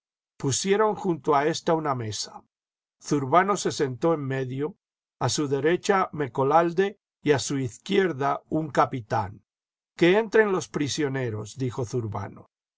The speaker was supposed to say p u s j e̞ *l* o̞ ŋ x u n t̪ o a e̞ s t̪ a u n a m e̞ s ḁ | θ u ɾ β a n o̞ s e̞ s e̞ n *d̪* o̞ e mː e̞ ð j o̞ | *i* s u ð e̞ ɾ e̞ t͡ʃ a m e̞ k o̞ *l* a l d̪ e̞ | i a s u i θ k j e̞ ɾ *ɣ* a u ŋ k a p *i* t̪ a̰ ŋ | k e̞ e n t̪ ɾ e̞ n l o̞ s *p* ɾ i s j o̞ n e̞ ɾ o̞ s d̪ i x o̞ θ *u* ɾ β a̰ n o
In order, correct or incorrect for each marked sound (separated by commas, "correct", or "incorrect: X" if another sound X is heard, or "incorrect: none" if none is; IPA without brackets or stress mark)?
incorrect: ɾ, incorrect: t̪, incorrect: a, correct, incorrect: ð, correct, correct, correct